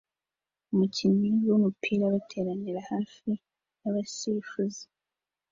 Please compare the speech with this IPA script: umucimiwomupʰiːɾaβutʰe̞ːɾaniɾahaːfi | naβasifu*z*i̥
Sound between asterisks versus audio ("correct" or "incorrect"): correct